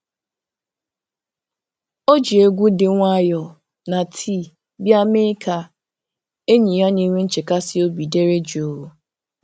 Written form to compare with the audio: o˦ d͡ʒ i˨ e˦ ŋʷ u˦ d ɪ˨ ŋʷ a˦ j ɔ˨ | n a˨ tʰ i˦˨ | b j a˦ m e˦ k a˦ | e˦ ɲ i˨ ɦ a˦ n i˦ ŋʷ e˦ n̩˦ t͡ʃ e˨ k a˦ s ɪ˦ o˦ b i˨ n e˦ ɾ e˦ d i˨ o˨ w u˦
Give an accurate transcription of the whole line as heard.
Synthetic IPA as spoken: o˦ d͡ʒ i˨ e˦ ɡʷ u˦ d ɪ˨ ŋʷ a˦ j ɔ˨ | n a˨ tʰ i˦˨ | b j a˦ m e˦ k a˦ | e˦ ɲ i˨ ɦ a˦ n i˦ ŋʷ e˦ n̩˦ t͡ʃ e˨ k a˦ s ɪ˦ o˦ b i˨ d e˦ ɾ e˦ d͡ʒ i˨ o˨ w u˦